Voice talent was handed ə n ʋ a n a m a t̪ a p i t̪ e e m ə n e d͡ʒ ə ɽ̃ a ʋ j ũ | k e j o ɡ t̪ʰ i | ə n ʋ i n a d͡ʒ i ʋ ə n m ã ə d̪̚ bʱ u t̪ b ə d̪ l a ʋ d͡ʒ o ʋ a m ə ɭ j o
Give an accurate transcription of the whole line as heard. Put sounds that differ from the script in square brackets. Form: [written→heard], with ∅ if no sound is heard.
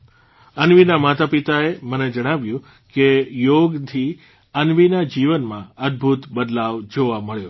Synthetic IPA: ə n ʋ [a→i] n a m a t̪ a p i t̪ [e→a] e m ə n e d͡ʒ ə ɽ̃ a ʋ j ũ | k e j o ɡ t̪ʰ i | ə n ʋ i n a d͡ʒ i ʋ ə n m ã ə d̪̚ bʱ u t̪ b ə d̪ l a ʋ d͡ʒ o ʋ a m ə ɭ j o